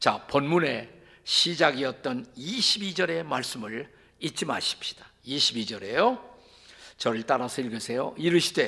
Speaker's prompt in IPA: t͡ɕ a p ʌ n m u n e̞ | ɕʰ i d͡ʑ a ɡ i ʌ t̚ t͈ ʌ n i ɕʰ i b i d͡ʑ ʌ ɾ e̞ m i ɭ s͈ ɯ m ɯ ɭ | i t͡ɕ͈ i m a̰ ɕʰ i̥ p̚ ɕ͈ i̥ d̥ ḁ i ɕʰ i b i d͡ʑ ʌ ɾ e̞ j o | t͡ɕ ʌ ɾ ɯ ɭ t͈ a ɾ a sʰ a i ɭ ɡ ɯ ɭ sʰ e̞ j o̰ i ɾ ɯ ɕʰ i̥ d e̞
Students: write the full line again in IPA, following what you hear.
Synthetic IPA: t͡ɕ a p ʌ n m u n e̞ | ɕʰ i d͡ʑ a ɡ i ʌ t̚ t͈ ʌ n i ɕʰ i b i d͡ʑ ʌ ɾ e̞ m a ɭ s͈ ɯ m ɯ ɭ | i t͡ɕ͈ i m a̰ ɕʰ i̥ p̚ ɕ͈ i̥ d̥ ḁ i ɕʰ i b i d͡ʑ ʌ ɾ e̞ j o | t͡ɕ ʌ ɾ ɯ ɭ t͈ a ɾ a sʰ ʌ i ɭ ɡ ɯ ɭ sʰ e̞ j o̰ i ɾ ɯ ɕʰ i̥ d e̞